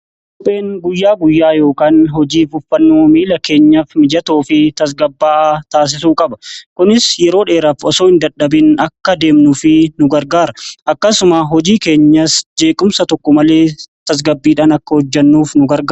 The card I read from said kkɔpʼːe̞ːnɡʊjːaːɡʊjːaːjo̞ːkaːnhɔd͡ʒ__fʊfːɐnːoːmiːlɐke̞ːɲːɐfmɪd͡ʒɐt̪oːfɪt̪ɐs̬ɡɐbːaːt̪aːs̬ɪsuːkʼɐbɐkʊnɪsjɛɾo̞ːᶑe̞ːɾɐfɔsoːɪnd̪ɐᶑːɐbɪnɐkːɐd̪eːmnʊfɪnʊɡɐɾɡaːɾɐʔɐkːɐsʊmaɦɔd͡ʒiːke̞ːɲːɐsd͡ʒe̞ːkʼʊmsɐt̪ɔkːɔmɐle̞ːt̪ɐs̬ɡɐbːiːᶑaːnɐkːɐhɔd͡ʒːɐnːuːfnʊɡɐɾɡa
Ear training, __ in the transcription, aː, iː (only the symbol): iː